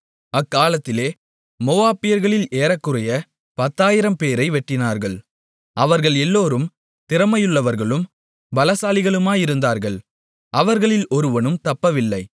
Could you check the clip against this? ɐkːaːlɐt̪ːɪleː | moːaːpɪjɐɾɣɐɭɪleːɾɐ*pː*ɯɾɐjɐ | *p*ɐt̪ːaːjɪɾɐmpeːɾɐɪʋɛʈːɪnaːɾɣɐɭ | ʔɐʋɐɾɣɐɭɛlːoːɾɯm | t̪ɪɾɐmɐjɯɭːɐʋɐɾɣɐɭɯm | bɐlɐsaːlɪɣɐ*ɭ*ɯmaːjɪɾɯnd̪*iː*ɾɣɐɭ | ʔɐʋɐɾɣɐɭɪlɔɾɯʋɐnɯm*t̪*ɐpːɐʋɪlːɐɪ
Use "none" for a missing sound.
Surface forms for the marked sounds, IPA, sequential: kː, p, ɭ, aː, t̪

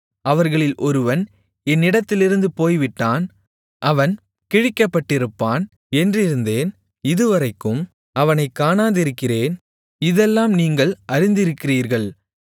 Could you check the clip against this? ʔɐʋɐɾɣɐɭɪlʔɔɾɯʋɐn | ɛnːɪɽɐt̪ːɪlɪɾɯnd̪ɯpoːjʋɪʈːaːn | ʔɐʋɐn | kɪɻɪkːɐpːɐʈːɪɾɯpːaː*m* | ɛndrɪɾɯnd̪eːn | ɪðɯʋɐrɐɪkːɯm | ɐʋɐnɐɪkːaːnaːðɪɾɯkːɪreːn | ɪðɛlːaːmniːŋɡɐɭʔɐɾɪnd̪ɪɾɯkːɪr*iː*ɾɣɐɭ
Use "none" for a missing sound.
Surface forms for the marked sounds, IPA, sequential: n, iː

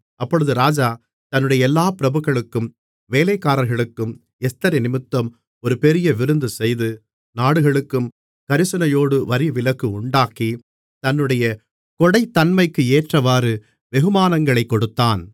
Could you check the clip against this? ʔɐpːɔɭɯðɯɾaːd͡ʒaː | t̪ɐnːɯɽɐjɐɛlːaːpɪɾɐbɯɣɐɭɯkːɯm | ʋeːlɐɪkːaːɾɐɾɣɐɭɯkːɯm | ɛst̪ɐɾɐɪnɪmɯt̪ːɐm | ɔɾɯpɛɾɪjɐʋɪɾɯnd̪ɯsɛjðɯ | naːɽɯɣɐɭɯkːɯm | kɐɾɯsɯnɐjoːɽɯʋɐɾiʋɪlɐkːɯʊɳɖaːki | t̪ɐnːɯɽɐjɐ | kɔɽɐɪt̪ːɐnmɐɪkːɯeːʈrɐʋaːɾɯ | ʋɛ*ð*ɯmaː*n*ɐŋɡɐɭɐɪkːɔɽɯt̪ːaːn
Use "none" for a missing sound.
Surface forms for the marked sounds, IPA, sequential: ɣ, n

